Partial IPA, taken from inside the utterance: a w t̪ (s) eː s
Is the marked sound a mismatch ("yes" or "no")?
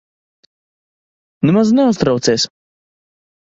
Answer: no